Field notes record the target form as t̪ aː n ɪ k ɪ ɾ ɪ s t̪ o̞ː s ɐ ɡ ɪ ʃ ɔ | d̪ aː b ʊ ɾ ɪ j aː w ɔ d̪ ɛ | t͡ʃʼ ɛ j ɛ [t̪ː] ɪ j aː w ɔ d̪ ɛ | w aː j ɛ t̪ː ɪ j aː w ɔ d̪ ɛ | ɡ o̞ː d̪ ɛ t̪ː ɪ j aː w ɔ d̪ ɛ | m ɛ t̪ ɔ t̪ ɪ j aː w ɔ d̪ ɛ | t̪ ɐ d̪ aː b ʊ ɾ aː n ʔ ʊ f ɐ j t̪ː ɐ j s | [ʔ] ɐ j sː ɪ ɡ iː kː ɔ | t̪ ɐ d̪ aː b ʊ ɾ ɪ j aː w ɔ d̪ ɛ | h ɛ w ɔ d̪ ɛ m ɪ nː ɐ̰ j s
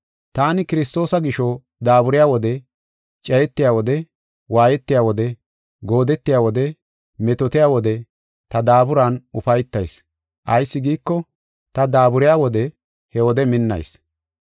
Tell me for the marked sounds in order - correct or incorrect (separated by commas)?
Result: correct, correct